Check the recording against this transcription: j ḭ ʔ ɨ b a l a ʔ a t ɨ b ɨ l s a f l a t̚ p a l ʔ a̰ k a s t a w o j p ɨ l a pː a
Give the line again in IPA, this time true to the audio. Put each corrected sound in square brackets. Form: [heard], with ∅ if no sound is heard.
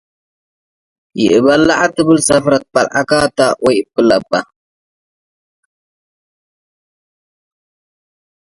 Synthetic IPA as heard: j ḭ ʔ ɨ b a l a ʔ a t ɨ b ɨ l s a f [ɾ] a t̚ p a l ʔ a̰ k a [∅] t a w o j p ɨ l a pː a